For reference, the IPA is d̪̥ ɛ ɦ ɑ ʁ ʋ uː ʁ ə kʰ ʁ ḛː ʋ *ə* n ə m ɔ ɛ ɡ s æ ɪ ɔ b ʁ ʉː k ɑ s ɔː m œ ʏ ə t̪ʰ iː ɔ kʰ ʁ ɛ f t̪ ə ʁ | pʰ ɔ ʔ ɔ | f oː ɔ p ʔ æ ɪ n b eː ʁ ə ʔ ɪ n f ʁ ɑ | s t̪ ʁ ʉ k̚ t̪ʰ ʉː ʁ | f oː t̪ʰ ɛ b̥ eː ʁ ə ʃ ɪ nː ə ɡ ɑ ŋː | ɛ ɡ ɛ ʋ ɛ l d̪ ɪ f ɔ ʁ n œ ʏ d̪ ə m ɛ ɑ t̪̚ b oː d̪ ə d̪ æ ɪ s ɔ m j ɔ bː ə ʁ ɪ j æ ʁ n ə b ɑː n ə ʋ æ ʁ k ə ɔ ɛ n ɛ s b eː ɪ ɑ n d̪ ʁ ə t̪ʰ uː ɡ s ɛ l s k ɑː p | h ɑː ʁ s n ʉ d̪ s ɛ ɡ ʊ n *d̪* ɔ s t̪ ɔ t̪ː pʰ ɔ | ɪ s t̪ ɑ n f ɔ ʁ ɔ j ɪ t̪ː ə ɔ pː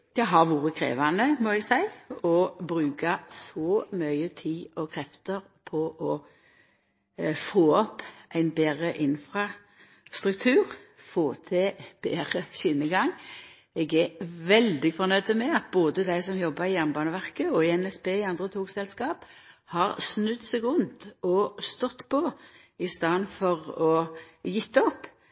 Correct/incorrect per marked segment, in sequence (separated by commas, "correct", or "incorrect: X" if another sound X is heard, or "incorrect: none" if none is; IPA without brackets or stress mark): incorrect: ɑ, incorrect: t̪